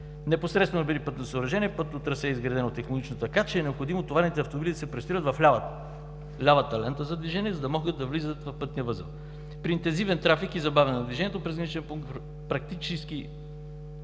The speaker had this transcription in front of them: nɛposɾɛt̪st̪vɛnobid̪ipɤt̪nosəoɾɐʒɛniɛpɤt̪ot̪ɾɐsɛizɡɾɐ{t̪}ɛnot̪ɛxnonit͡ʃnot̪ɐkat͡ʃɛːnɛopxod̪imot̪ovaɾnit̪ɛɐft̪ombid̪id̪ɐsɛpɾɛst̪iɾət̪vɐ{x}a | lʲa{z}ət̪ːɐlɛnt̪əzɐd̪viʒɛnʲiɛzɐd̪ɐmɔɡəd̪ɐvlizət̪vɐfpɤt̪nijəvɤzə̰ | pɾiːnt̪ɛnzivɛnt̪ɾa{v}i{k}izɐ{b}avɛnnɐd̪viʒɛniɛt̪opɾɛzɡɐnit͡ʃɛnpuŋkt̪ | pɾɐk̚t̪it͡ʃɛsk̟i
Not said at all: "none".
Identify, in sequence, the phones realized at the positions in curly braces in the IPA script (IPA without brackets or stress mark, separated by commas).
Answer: d̪, f, v, f, k, b